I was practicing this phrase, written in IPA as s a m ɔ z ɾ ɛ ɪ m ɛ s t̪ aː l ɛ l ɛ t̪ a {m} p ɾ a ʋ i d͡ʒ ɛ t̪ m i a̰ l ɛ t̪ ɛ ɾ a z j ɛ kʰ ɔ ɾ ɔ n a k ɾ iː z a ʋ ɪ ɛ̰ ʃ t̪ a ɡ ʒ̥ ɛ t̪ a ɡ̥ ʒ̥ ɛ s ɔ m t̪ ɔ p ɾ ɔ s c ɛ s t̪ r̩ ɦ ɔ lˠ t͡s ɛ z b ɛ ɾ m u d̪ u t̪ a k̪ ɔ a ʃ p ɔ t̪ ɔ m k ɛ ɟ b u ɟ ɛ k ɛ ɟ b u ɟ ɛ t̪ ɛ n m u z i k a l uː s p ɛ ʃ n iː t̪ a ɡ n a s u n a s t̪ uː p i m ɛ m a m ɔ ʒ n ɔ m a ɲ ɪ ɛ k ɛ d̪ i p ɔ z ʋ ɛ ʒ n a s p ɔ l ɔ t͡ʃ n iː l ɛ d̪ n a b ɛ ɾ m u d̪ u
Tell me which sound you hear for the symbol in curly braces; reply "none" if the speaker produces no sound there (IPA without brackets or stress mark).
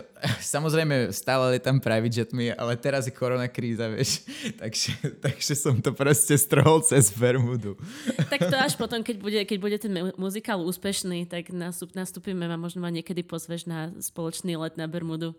m